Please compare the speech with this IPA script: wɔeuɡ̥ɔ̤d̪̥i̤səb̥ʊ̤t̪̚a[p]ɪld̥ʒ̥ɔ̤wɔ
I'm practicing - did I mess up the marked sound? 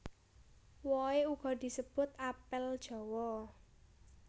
no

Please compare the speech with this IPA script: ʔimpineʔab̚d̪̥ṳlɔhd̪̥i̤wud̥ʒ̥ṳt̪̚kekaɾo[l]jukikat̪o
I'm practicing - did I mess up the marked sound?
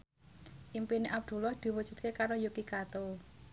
yes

